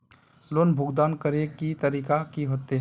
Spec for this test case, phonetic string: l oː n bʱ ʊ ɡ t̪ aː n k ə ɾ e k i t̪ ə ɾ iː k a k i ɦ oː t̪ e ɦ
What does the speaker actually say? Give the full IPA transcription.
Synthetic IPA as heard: l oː n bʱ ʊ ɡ d̪ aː n k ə ɾ e k i t̪ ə ɾ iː k a k i ɦ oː t̪ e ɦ

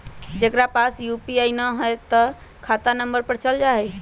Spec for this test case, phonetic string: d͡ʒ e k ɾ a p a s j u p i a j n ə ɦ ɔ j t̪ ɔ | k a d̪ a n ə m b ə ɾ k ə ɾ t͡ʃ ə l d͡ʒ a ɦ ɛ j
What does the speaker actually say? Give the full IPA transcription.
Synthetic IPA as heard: d͡ʒ e k ɾ a p a s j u p i a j n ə ɦ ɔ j t̪ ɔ | kʰ a t̪ a n ə m b ə ɾ p ə ɾ t͡ʃ ə l d͡ʒ a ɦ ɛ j

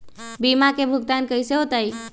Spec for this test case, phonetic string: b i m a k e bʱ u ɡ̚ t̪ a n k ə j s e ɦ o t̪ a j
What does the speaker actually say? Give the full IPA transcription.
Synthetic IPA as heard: b i m a k e bʱ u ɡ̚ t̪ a n k ə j s e ɦ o t̪ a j

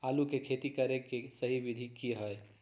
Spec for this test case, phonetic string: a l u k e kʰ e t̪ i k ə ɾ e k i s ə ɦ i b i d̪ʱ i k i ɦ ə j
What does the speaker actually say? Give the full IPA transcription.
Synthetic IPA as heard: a l u k e kʰ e t̪ i k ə ɾ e k e s ə ɦ i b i d̪ʱ i k i ɦ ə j

